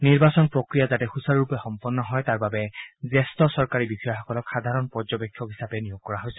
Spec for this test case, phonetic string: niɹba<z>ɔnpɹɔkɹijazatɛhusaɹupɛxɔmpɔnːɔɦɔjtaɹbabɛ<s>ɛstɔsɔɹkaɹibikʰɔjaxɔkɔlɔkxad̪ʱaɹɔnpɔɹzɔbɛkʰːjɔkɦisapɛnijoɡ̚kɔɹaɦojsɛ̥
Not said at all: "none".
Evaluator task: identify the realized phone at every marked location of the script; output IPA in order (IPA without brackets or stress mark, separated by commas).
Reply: s, z